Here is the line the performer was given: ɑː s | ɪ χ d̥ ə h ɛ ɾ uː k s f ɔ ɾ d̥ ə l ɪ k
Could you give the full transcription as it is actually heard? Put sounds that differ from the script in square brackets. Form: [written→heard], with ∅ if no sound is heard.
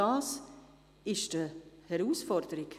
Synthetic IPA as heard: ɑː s | ɪ [χ→ʃ] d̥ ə h ɛ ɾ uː [k→∅] s f ɔ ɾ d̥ ə [l→ɾ] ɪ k